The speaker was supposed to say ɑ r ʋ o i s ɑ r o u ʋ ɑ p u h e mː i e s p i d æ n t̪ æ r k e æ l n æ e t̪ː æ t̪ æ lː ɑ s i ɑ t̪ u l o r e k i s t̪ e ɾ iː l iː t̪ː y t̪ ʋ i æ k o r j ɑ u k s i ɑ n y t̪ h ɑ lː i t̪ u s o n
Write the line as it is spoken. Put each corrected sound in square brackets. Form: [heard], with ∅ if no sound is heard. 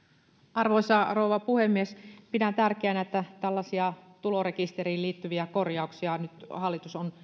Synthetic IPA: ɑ r ʋ o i s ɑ r o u ʋ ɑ p u h e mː i e s p i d æ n t̪ æ r k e æ [∅] n æ e t̪ː æ t̪ æ lː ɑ s i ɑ t̪ u l o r e k i s t̪ e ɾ iː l iː t̪ː y [∅] ʋ i æ k o r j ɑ u k s i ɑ n y t̪ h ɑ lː i t̪ u s o n